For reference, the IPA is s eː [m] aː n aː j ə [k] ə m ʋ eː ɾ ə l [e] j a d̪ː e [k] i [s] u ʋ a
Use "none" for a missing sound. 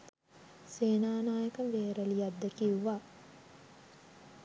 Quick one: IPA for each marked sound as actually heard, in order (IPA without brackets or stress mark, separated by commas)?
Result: n, k, i, k, none